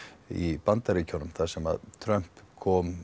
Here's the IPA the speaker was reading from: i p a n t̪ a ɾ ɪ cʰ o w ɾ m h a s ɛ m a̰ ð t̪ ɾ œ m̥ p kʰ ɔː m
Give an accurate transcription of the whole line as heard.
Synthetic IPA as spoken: i p a n t̪ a ɾ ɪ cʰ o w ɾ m θ a s ɛ m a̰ ð t̪ʰ ɾ œ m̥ p kʰ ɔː m

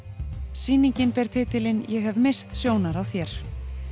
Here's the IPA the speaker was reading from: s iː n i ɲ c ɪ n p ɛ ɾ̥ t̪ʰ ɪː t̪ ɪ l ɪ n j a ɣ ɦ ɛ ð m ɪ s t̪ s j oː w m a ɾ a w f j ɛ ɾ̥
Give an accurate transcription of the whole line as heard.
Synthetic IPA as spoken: s iː n i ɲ c ɪ n p ɛ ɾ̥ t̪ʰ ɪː t̪ ɪ l ɪ n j ɛ ɣ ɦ ɛ v m ɪ s t̪ s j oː w n a ɾ a w θ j ɛ ɾ̥

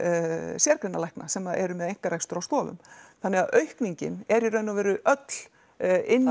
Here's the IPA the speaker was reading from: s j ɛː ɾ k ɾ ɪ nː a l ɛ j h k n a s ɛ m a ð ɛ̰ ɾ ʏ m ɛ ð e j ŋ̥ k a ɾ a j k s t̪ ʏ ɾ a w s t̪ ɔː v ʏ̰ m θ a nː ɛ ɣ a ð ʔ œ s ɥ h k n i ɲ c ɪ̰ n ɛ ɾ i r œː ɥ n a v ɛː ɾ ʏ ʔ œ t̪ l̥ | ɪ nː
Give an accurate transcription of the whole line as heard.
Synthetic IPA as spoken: s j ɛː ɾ k ɾ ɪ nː a l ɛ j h k n a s ɛ m a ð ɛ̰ ɾ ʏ m ɛ ð e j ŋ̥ k a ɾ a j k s t̪ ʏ ɾ a w s t̪ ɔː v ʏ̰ m θ a nː ɛ ɣ a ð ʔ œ ɥ h k n i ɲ c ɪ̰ n ɛ ɾ i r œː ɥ n a v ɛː ɾ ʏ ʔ œ t̪ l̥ | ɪ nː

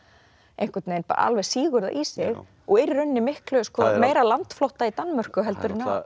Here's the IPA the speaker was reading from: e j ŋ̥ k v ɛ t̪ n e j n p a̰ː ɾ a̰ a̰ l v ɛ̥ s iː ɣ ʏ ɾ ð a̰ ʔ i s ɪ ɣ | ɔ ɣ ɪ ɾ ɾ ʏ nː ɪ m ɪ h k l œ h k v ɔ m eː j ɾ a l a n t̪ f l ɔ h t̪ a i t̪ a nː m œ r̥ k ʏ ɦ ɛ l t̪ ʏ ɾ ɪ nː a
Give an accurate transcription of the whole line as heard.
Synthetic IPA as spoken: e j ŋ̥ k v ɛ t̪ n e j n p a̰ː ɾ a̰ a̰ l v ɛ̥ s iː ɣ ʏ ɾ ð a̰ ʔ i s ɪ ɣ | ɔ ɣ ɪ ɾ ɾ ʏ nː ɪ m ɪ h k l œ s k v ɔ m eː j ɾ a l a n t̪ f l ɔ h t̪ a i t̪ a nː m œ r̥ k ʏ ɦ ɛ l t̪ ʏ ɾ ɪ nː a

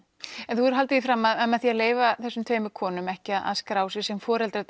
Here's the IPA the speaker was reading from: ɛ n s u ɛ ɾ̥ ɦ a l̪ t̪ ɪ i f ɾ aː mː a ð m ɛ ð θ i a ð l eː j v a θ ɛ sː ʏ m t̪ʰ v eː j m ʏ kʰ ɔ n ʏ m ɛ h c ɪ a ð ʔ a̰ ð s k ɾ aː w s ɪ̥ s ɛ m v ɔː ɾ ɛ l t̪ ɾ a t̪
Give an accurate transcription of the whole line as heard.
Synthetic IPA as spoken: ɛ n θ u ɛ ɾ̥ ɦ a l̪ t̪ ɪ i f ɾ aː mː a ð m ɛ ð θ i a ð l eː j v a θ ɛ sː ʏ m t̪ʰ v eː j m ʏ kʰ ɔː n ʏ m ɛ h c ɪ a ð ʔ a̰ ð s k ɾ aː w s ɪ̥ s ɛ m f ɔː ɾ ɛ l t̪ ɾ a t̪

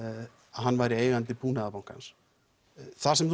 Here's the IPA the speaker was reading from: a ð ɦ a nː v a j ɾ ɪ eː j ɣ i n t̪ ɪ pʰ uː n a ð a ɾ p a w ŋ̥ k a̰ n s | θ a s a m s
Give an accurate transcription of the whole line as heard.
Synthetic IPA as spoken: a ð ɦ a nː v a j ɾ ɪ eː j ɣ a n t̪ ɪ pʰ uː n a ð a p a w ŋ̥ k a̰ n s | θ a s ɛ m θ

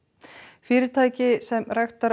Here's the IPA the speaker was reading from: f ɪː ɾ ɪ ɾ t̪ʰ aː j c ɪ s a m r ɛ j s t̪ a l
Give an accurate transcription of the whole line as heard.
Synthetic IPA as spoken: f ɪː ɾ ɪ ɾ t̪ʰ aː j c ɪ s ɛ m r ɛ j x t̪ a ɾ

